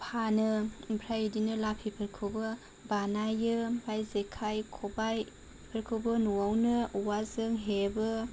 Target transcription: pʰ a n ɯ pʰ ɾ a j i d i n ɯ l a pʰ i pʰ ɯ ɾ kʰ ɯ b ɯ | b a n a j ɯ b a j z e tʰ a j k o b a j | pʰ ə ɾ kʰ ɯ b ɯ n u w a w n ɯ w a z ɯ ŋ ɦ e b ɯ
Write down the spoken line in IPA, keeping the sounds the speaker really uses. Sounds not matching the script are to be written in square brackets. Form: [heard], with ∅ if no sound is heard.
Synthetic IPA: pʰ a n ɯ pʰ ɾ a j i d i n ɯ l a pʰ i pʰ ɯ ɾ kʰ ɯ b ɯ | b a n a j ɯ b a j z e [kʰ] a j [kʰ] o b a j | pʰ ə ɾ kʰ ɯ b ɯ n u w a w n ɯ w a z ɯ ŋ ɦ e b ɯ